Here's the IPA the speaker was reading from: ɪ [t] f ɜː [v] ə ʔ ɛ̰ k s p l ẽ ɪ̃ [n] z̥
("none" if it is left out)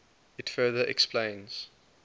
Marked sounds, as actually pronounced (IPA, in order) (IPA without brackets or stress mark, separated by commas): t, ð, n